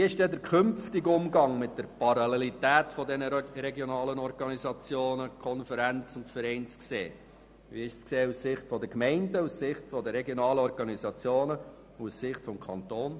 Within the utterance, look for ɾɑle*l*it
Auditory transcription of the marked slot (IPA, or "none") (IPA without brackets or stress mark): l